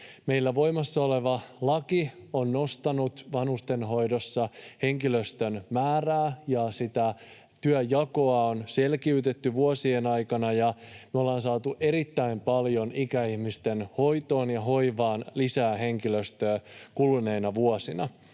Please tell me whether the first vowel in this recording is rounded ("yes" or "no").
no